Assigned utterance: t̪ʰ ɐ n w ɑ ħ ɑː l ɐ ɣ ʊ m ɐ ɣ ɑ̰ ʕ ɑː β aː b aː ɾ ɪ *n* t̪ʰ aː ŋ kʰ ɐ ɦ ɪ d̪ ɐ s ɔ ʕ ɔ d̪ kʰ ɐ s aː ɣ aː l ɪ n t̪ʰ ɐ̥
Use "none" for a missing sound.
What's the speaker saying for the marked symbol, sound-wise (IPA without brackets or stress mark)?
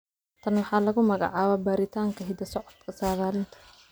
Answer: none